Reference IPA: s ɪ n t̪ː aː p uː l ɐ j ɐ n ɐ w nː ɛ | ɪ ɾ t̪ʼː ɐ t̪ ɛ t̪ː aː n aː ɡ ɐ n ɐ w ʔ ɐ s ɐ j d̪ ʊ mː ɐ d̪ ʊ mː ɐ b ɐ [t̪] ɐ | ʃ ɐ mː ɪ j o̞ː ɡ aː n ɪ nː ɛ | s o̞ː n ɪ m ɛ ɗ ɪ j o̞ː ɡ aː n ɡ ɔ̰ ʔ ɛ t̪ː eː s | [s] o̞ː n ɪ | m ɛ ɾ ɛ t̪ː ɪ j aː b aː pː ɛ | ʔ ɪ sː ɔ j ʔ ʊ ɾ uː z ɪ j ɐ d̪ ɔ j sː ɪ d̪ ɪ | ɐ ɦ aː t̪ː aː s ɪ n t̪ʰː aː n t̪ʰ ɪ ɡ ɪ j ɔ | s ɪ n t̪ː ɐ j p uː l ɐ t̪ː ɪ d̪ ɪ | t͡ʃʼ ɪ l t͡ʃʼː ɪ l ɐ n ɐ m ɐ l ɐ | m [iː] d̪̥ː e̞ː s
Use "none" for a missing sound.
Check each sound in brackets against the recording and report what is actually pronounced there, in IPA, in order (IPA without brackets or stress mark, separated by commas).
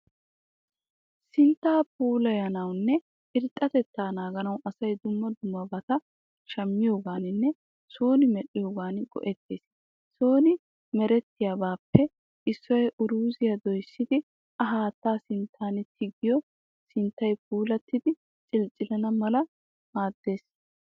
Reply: t̪, s, aː